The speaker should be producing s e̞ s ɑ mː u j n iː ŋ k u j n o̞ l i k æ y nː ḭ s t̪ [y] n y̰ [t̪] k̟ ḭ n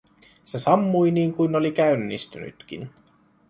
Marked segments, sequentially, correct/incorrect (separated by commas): correct, correct